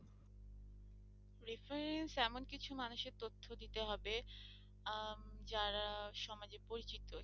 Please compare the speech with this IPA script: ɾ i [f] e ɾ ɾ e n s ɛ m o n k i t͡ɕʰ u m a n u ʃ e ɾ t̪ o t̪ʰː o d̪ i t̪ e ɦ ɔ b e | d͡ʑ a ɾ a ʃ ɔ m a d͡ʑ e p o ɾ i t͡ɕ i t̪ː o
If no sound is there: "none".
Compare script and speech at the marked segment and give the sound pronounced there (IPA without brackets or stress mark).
f